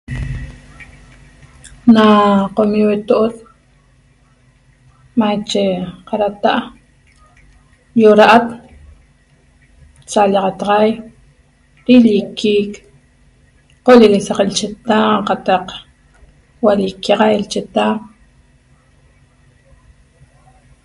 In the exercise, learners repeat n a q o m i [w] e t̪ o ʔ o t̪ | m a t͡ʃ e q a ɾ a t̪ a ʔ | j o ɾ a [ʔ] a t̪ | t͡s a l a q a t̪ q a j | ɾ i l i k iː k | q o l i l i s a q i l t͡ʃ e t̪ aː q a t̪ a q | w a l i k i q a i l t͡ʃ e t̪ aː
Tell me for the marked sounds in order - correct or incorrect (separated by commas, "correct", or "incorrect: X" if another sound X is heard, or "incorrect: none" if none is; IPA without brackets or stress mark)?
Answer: correct, correct